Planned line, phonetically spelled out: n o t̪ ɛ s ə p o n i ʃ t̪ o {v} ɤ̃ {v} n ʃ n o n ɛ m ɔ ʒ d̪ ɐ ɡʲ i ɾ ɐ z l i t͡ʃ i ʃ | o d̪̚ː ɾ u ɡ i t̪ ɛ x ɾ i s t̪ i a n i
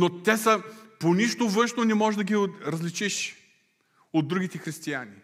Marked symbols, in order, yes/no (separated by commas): yes, no